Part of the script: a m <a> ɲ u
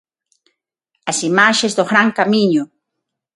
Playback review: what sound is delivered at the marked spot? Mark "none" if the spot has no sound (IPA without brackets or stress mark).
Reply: i